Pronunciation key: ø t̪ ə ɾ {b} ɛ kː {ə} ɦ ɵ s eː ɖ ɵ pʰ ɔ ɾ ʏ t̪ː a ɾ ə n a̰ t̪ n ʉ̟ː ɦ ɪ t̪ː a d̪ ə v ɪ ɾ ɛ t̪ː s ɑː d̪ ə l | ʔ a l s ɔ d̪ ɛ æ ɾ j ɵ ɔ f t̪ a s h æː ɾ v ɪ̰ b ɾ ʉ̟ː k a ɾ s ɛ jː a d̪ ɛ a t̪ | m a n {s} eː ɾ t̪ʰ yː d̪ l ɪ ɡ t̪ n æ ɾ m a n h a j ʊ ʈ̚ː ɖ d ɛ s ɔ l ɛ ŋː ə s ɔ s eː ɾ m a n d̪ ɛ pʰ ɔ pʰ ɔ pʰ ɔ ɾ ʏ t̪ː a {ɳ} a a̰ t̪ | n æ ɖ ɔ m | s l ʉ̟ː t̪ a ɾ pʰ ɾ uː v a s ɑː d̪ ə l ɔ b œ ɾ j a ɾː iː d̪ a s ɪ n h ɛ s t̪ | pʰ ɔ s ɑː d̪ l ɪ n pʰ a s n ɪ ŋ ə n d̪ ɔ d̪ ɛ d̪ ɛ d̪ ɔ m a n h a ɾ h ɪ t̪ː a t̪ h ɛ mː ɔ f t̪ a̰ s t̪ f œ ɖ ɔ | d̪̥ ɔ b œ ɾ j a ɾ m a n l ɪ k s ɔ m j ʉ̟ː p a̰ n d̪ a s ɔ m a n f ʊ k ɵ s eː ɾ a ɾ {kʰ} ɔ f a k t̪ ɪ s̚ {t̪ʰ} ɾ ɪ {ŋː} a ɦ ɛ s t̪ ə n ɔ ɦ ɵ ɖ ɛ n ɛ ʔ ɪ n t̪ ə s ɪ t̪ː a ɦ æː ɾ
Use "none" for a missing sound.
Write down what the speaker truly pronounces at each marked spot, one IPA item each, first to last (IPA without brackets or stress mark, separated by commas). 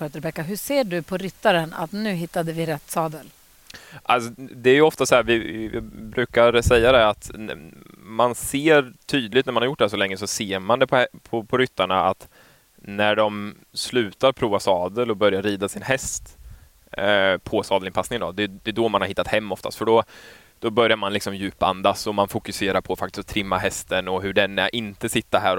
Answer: b, a, s, ɳ, pʰ, t̪ʰ, mː